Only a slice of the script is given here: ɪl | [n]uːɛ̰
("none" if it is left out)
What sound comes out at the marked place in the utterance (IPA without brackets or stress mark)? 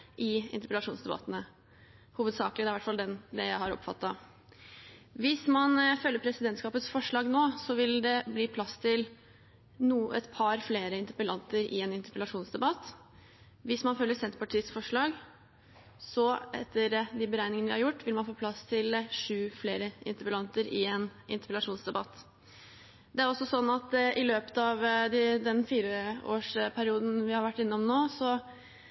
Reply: n